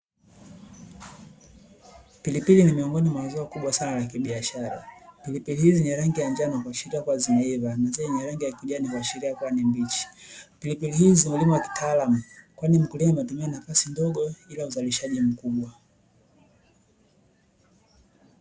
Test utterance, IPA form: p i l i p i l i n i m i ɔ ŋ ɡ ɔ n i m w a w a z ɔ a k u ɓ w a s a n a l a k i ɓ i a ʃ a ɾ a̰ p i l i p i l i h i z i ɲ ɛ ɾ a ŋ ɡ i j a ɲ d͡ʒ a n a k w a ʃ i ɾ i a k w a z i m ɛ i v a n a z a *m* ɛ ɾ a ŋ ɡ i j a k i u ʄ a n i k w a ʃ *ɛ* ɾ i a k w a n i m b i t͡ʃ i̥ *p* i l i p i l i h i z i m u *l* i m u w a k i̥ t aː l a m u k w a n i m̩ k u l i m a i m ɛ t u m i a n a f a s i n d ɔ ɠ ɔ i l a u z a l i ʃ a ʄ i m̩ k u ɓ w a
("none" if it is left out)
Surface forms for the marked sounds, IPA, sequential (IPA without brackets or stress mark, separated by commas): ɲ, i, p, l